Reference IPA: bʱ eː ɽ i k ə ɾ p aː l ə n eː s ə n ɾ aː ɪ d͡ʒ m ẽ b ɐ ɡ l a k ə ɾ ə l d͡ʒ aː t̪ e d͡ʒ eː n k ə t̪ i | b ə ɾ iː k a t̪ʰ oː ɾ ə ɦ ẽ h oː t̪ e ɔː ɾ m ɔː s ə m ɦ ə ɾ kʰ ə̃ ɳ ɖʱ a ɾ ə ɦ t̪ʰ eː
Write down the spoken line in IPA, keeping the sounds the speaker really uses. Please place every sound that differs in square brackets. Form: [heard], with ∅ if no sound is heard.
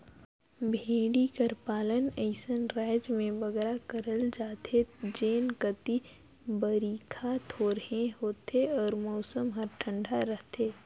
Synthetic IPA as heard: bʱ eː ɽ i k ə ɾ p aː l ə n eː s ə n ɾ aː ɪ d͡ʒ m ẽ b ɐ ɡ [ɾ] a k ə ɾ ə l d͡ʒ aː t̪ e d͡ʒ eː n k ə t̪ i | b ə ɾ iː [kʰ] a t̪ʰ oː ɾ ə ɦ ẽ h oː t̪ e ɔː ɾ m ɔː s ə m ɦ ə ɾ [ʈʰ] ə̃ ɳ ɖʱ a ɾ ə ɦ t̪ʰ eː